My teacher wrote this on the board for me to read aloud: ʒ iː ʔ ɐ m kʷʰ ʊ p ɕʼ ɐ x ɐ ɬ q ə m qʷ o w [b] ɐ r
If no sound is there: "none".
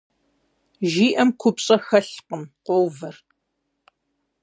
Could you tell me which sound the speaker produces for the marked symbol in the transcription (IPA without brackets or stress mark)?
v